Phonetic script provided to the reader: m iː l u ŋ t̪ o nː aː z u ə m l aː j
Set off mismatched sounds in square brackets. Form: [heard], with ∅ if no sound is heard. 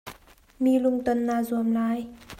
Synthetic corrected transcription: m iː l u ŋ t̪ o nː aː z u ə m l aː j